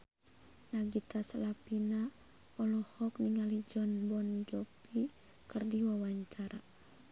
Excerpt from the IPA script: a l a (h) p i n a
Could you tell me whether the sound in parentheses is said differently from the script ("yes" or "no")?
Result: yes